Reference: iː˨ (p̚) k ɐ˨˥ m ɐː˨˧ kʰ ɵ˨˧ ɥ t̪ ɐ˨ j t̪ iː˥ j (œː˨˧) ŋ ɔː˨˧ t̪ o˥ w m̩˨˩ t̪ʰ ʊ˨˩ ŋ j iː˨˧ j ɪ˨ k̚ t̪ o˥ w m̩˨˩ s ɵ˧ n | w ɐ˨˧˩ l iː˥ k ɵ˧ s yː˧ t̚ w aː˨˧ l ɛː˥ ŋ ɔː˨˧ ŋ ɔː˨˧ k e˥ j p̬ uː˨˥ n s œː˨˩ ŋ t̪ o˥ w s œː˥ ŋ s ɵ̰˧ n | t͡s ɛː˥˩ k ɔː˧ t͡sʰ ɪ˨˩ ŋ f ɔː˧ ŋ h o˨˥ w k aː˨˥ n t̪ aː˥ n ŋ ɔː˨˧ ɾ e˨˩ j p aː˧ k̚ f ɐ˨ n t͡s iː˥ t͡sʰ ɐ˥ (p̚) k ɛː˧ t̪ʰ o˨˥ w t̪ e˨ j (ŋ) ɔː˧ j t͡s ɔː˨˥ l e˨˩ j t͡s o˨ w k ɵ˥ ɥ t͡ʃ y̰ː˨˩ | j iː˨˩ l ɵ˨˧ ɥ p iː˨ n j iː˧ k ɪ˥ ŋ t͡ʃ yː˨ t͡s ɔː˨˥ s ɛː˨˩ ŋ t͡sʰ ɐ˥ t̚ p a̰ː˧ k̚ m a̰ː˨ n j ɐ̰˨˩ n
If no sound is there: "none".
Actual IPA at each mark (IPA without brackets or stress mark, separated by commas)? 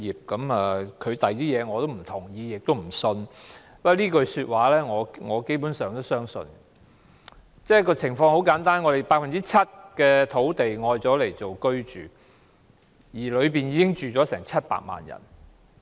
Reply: p̚, ɛː˨˧, t̚, ŋ